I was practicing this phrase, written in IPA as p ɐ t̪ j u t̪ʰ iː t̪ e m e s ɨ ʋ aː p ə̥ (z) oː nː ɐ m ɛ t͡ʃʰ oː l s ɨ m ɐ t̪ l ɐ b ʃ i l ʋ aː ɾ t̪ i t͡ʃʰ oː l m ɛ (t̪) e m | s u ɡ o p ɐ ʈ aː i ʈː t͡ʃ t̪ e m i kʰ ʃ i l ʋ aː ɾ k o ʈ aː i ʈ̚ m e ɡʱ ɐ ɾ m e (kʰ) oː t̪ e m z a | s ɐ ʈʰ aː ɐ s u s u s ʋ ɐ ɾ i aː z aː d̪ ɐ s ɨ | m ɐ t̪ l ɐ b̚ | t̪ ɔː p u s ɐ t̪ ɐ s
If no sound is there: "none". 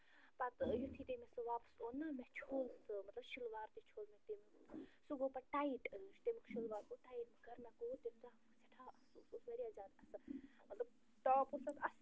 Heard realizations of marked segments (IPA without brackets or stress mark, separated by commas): s, t̪, k